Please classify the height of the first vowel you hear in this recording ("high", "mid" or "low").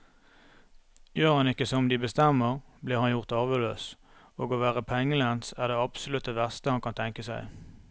mid